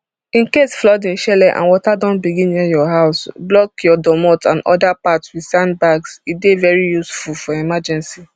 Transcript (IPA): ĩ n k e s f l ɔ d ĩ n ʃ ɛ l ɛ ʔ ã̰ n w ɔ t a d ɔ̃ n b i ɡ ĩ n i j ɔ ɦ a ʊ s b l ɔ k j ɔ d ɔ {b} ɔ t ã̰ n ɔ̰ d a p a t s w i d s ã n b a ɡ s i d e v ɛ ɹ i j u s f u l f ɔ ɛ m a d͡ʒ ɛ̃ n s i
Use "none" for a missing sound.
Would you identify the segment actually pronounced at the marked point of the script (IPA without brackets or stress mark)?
m